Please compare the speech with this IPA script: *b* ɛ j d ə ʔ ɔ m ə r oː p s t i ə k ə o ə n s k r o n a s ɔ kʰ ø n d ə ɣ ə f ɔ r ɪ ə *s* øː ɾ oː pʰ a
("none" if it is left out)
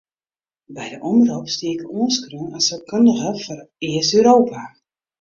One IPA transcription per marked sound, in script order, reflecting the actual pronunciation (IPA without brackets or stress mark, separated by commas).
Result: b, s